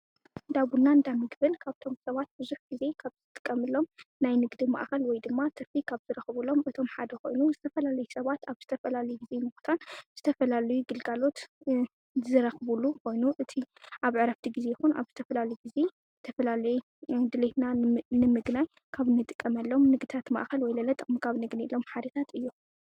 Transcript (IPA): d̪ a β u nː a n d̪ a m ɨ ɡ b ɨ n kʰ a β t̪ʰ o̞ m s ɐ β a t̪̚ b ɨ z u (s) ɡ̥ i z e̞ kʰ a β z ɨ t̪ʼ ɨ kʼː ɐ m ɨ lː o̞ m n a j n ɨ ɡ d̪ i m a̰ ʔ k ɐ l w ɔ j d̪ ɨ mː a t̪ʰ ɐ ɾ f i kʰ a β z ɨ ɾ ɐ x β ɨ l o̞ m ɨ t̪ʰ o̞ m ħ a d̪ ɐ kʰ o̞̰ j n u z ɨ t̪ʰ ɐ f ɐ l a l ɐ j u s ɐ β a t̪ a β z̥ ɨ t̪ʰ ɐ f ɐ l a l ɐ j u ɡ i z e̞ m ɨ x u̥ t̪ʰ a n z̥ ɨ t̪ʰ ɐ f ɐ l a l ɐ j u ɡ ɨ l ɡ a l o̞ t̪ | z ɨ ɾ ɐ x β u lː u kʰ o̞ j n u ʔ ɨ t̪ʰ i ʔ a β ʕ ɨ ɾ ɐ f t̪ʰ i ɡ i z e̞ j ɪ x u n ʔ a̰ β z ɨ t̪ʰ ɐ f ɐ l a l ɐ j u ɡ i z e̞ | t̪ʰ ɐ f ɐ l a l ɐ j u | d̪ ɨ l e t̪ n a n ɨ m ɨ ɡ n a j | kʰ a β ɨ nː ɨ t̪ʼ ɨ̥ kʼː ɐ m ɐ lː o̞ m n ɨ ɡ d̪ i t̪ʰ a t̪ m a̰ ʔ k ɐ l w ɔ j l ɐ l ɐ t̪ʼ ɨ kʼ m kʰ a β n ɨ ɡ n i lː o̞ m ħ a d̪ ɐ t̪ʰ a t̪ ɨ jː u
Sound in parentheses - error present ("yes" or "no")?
yes